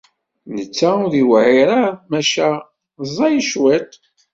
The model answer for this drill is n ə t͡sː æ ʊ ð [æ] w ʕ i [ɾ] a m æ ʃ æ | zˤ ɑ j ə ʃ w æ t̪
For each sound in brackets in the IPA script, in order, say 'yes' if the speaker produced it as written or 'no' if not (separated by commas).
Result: no, yes